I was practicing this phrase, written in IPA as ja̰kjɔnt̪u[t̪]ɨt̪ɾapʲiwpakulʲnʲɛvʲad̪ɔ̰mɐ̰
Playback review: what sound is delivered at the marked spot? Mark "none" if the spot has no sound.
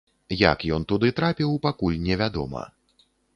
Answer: d̪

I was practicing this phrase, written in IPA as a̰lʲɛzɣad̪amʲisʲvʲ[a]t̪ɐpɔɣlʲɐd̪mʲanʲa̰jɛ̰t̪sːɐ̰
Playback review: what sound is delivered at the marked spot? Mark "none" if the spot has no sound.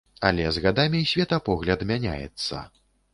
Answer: ɛ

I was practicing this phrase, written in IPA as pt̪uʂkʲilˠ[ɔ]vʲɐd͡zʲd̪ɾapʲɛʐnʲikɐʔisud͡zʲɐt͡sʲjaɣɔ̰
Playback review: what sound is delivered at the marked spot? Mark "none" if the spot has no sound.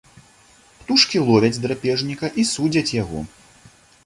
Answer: ɔ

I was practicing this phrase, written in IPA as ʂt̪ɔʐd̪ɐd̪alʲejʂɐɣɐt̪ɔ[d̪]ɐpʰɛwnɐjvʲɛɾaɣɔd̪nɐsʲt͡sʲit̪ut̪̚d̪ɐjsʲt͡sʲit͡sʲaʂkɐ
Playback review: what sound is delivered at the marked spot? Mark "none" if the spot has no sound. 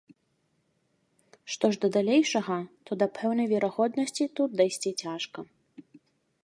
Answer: d̪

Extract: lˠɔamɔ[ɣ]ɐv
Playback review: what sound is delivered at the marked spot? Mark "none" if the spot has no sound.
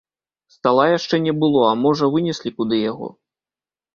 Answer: ʐ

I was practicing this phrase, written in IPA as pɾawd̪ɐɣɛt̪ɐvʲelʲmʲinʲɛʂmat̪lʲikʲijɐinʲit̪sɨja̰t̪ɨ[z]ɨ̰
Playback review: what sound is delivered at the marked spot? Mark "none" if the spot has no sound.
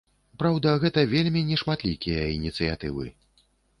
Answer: v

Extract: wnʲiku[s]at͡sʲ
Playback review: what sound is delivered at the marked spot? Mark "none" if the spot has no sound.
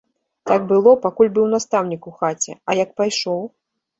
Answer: x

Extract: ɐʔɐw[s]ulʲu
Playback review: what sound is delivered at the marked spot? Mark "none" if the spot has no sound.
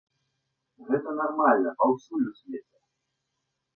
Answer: s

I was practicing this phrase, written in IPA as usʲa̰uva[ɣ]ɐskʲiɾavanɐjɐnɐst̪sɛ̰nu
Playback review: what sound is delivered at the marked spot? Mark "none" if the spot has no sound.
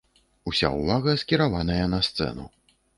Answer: ɣ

